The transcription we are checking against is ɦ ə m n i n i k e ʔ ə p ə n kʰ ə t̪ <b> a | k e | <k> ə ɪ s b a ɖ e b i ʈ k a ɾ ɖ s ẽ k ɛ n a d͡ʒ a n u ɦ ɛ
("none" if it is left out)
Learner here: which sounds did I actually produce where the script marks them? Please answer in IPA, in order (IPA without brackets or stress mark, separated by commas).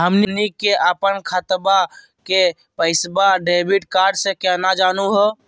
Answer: b, p